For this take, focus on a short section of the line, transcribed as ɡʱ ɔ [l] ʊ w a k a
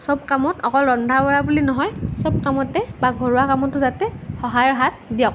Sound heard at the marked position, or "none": ɹ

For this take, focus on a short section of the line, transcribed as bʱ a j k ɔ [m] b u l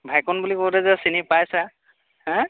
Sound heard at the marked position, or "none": n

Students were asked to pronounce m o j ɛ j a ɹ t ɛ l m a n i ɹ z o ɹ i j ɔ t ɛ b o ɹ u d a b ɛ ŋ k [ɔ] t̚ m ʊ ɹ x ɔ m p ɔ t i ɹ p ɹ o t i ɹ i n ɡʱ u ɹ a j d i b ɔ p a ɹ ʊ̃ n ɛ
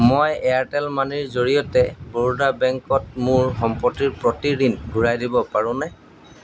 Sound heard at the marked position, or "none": ɔ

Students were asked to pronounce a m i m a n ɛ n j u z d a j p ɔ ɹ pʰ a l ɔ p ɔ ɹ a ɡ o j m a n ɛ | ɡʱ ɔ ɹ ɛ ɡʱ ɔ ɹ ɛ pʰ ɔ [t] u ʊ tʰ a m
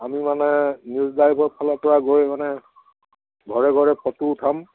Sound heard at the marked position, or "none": t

